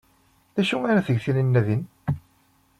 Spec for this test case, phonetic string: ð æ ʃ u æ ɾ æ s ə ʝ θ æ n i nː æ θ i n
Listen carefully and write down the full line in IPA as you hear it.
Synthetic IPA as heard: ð æ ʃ u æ ɾ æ θ ə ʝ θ i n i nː æ ð i n